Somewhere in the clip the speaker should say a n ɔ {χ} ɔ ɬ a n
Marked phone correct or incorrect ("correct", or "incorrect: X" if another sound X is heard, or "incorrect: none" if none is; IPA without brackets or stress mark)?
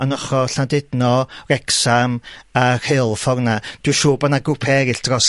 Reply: correct